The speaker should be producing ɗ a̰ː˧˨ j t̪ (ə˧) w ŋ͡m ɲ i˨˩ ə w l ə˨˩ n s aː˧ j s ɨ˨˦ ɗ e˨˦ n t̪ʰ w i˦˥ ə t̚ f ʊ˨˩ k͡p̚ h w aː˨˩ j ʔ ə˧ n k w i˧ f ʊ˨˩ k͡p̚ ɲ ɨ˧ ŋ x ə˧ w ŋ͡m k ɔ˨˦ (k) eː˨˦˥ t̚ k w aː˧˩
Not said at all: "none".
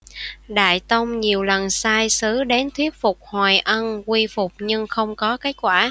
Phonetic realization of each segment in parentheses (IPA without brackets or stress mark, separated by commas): ə˧, k